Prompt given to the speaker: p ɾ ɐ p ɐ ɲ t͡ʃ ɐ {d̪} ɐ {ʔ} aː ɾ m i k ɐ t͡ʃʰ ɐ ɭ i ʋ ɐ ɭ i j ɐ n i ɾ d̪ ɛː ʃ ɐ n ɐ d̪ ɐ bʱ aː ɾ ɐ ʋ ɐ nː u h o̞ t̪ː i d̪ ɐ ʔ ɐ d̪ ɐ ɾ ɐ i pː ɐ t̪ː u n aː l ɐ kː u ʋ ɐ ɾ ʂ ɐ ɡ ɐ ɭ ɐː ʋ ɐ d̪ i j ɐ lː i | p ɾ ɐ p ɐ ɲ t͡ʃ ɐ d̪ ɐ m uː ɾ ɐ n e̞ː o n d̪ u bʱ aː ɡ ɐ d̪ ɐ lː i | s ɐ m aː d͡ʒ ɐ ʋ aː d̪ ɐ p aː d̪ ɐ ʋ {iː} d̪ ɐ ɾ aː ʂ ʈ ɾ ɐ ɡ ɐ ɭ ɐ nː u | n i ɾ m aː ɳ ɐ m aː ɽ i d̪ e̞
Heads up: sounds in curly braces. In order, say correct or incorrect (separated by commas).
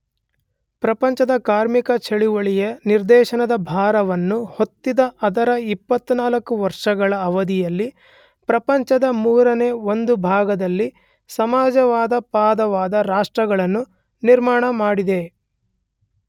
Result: correct, incorrect, incorrect